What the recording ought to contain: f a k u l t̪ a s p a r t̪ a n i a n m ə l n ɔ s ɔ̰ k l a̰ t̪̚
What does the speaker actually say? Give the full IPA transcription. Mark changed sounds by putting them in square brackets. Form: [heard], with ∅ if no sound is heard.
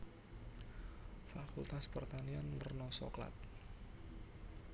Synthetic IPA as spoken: f a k u l t̪ a s p [ə] r t̪ a n i a n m ə [r] n ɔ s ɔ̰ k l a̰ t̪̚